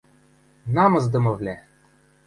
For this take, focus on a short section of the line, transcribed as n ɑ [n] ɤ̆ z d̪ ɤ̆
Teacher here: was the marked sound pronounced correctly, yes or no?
no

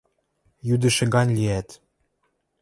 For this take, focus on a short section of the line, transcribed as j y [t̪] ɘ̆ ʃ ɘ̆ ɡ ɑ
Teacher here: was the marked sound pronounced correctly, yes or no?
no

